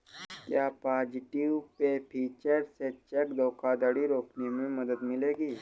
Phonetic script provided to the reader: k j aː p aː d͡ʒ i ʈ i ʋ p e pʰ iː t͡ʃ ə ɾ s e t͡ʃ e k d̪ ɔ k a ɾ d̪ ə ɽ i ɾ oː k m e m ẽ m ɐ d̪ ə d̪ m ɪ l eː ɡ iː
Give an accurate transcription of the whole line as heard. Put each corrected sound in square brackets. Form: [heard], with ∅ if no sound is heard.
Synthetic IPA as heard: k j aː p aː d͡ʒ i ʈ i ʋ p e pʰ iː t͡ʃ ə ɾ s e t͡ʃ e k d̪ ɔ k a [∅] d̪ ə ɽ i ɾ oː k [n] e m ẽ m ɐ d̪ ə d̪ m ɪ l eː ɡ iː